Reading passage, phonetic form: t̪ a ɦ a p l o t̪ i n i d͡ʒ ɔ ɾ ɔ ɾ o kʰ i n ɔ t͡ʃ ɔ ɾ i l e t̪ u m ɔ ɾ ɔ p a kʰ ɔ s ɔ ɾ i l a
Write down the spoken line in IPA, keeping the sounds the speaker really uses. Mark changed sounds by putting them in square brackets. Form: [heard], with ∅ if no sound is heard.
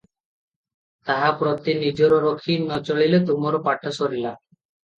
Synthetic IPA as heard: t̪ a ɦ a p [ɾ] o t̪ i n i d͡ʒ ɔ ɾ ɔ ɾ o kʰ i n ɔ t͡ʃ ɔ [ɭ] i l e t̪ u m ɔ ɾ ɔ p a [ʈʰ] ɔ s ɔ ɾ i l a